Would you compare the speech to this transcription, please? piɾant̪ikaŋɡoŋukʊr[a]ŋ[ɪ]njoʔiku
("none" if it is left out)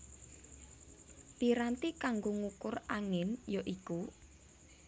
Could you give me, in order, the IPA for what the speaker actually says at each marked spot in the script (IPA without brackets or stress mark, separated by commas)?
a, ɪ